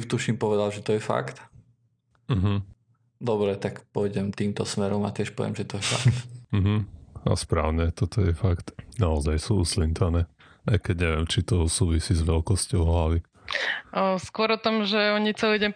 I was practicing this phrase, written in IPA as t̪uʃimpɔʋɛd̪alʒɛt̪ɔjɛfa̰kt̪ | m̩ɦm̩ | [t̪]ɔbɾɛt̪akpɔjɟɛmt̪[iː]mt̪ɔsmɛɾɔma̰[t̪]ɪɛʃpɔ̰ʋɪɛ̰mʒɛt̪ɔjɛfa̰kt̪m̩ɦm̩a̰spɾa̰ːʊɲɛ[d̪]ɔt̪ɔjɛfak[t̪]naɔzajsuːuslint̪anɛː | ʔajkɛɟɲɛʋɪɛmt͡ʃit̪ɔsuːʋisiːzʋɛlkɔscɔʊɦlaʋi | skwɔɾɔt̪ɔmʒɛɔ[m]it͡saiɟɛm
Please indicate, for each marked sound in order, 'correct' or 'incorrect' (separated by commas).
incorrect, correct, correct, incorrect, correct, incorrect